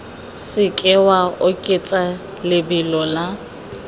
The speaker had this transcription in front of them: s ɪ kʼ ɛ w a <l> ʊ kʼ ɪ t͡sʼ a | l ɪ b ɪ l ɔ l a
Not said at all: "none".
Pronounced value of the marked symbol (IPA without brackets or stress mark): none